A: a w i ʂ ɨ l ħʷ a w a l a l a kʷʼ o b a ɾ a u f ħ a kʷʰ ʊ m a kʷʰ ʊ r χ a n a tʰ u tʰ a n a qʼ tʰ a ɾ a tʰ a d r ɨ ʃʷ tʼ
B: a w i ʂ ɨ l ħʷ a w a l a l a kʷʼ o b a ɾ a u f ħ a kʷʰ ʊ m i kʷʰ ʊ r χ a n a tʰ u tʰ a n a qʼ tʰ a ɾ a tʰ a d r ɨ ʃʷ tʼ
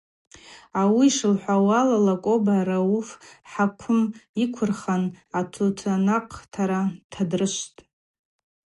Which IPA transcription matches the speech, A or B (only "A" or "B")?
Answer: B